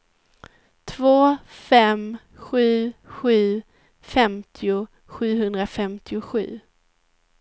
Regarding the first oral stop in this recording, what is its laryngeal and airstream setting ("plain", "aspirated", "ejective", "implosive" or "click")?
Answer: aspirated